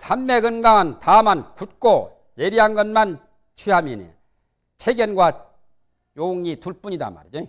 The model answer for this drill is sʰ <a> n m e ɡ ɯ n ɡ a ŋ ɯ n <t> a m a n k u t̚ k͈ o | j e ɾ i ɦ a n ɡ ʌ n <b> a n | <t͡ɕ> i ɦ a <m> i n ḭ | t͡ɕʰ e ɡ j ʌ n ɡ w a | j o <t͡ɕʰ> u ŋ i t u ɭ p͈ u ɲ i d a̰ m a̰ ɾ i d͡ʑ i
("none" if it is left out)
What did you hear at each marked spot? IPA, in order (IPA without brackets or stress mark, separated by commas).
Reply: a, t, m, t͡ɕʰ, m, none